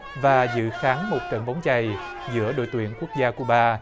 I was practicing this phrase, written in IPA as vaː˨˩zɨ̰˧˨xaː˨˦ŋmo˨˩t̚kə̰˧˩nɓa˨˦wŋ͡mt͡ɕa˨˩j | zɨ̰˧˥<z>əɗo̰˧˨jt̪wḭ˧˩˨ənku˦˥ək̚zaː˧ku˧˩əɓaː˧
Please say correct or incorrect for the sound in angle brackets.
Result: incorrect